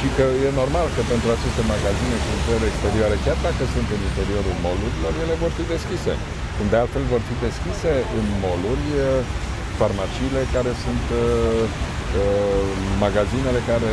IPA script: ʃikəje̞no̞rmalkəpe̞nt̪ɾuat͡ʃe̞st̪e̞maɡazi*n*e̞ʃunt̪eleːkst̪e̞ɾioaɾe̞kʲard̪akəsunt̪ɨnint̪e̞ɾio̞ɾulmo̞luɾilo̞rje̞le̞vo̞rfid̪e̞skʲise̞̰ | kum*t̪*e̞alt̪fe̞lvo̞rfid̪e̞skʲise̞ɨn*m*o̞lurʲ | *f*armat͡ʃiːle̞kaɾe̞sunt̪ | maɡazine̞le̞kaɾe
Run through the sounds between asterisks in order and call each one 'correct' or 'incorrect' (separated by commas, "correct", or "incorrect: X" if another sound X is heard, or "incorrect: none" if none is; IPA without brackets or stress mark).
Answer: correct, incorrect: d̪, correct, correct